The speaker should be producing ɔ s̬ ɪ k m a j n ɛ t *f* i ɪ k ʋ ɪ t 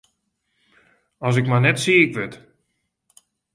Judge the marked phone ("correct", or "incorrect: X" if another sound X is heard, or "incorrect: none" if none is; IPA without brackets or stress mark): incorrect: s